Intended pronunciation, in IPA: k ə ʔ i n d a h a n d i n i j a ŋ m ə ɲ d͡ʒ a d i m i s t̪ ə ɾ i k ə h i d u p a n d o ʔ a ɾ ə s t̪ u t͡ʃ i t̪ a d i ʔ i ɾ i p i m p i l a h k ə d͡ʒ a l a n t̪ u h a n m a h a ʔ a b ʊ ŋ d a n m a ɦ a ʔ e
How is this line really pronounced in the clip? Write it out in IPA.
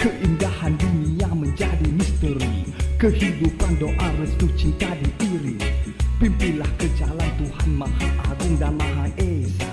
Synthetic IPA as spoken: k ə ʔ i n d a h a n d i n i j a ŋ m ə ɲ d͡ʒ a d i m i s t̪ ə ɾ i k ə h i d u p a n d o ʔ a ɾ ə s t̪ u t͡ʃ i t̪ a d i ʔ i ɾ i p i m p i l a h k ə d͡ʒ a l a n t̪ u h a n m a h a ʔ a ɡ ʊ ŋ d a n m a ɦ a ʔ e